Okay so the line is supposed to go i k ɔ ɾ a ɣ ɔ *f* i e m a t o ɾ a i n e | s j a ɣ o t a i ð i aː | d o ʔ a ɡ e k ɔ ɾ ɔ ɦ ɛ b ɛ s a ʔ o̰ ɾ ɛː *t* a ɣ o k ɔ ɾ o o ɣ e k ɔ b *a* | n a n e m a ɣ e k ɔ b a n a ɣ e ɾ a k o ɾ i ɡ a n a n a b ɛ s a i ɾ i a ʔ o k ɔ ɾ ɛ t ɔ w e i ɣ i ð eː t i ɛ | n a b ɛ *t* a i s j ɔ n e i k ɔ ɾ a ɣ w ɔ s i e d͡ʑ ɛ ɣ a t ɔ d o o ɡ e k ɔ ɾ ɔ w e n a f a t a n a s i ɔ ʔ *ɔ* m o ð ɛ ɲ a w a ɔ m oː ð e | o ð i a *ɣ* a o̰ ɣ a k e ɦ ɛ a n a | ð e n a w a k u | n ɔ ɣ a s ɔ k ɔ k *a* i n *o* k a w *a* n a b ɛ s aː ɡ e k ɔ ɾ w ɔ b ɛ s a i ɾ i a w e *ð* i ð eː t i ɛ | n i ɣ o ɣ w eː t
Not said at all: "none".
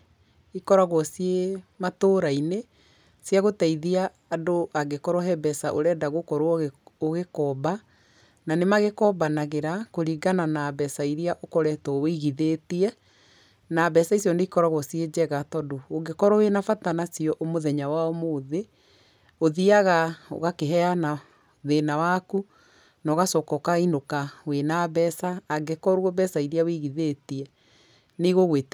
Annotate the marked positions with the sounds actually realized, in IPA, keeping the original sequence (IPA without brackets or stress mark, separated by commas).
s, d, a, s, o, ɣ, a, o, e, ɣ